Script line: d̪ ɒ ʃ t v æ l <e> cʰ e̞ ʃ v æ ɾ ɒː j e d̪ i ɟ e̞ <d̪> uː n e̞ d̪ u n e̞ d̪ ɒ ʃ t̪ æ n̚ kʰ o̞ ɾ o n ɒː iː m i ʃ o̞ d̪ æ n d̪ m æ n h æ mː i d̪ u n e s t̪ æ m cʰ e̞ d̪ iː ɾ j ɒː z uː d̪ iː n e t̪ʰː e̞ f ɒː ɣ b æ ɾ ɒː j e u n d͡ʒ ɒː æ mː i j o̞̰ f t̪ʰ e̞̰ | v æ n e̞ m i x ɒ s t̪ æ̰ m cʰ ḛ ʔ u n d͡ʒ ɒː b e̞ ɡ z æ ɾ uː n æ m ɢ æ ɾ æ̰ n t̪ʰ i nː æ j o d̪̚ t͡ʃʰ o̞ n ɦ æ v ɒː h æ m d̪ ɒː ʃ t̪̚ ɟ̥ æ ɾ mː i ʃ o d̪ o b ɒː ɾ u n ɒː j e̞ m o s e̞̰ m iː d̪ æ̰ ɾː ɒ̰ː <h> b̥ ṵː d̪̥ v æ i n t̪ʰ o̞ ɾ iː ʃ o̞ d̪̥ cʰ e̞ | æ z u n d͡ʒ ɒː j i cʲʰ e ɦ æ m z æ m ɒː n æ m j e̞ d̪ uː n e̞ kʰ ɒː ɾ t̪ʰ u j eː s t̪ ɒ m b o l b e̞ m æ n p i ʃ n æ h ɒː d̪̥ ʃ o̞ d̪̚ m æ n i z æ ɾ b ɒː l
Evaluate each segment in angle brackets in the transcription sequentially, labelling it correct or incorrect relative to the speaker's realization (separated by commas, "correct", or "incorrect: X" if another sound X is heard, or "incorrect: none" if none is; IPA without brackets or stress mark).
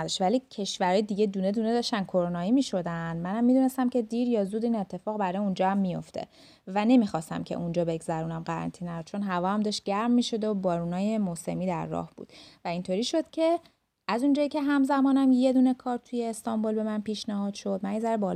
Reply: incorrect: i, correct, correct